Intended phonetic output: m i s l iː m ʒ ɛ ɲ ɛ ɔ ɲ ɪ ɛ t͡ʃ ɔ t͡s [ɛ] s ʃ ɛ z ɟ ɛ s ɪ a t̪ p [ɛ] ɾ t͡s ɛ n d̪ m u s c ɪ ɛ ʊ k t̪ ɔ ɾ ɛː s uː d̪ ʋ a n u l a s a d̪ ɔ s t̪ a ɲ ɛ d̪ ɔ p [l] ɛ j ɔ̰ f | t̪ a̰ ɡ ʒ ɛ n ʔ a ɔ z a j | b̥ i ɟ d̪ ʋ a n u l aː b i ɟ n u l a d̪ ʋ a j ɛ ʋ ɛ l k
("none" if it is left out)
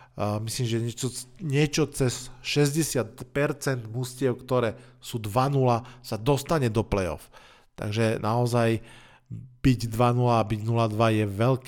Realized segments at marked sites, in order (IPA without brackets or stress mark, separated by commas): ɛ, ɛ, l